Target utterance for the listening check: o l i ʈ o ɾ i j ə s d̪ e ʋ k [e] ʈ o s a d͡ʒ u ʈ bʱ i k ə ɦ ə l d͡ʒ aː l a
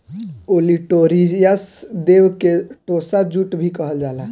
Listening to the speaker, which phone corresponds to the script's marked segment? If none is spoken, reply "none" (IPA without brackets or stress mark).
e